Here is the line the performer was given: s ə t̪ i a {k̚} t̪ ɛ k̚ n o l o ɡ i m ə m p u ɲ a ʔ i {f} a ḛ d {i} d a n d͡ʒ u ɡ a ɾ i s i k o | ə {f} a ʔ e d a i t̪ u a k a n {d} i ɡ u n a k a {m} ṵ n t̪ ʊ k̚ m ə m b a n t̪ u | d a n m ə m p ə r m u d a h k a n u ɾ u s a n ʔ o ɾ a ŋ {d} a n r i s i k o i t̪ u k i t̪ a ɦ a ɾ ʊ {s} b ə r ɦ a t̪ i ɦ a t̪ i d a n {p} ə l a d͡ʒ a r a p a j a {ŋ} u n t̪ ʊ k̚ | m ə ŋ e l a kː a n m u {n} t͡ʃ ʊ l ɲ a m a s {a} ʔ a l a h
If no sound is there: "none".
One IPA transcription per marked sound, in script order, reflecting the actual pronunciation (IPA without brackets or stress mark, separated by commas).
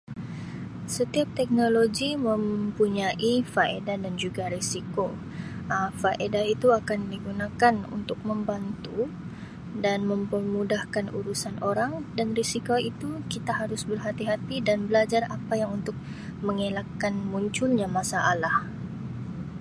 p̚, f, a, f, d, n, d, s, b, ŋ, ɲ, a